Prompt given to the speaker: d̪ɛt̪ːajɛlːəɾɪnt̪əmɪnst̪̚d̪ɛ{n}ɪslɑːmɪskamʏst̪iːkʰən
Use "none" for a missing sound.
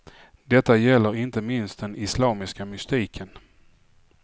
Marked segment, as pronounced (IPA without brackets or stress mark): n